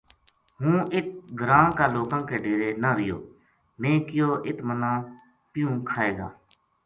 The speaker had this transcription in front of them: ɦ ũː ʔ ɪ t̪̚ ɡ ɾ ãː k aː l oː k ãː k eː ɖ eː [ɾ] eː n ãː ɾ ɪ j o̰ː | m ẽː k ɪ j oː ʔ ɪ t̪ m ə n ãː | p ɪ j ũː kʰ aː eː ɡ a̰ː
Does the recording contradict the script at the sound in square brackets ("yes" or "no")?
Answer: no